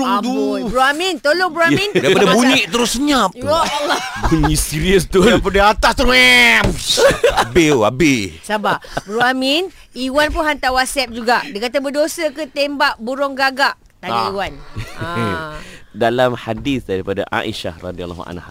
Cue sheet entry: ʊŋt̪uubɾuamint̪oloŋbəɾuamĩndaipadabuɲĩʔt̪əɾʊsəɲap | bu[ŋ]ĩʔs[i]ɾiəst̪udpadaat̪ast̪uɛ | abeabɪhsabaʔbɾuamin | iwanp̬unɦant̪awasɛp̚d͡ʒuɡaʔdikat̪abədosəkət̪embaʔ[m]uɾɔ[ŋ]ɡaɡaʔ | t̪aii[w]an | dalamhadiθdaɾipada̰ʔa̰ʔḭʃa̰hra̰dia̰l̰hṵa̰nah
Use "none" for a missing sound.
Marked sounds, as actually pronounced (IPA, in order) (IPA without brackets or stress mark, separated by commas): ɲ, i, b, ŋ, w